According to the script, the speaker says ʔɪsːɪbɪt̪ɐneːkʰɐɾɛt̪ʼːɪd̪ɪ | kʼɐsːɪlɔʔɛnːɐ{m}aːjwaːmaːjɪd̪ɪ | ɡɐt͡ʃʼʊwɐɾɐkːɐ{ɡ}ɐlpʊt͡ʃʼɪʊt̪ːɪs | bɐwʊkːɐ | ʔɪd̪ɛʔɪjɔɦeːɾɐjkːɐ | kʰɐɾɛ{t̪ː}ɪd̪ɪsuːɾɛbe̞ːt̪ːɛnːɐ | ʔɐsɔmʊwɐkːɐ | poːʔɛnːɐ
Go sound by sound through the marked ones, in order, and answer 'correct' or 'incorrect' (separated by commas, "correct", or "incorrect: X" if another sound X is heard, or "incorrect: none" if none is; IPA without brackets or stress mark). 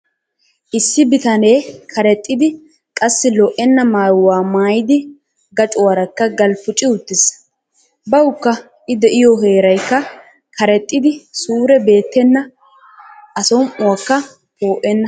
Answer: correct, correct, incorrect: t̪ʼː